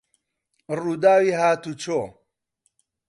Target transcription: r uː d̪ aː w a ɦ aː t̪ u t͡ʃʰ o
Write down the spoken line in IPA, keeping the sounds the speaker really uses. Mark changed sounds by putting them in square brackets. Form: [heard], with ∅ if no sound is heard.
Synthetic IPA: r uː d̪ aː w [i] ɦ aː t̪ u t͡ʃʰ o